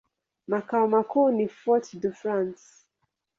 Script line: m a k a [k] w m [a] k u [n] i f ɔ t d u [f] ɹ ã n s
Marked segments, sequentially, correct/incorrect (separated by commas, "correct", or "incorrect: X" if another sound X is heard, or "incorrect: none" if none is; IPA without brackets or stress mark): incorrect: none, correct, correct, correct